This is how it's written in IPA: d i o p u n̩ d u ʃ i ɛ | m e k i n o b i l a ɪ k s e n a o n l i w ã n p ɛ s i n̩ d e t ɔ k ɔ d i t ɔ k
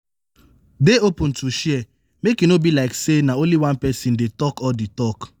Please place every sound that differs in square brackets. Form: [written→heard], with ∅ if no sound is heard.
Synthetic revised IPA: d [i→e] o p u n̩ [d→t] u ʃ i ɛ | m e k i n o b i l a ɪ k s e n a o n l i w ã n p ɛ s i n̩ d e t ɔ k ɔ d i t ɔ k